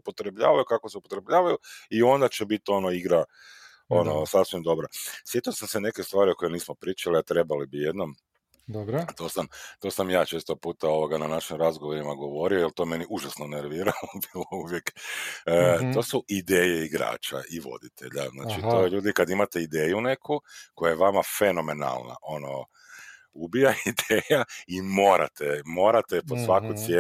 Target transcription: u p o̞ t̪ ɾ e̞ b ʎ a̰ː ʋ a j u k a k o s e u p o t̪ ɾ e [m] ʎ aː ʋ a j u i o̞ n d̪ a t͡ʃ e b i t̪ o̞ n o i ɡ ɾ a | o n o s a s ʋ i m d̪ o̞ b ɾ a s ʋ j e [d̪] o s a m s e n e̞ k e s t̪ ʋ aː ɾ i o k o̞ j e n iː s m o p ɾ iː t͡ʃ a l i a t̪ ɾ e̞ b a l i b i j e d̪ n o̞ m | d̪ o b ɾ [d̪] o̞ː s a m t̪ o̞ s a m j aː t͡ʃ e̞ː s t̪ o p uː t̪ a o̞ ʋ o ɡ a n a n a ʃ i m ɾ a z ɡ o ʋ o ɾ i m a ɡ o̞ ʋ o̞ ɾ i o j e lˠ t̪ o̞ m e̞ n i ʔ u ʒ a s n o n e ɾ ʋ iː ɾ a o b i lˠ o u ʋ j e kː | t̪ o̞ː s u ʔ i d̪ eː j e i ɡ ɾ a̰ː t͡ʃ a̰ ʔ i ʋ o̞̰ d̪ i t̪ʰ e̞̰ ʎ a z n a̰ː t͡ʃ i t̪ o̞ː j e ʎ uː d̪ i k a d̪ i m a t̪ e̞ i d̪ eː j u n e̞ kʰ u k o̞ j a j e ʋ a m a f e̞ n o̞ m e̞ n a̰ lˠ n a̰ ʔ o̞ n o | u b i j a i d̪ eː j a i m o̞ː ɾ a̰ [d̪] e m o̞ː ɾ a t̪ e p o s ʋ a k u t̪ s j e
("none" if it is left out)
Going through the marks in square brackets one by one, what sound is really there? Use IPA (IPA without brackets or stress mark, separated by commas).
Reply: b, t̪, t̪, t̪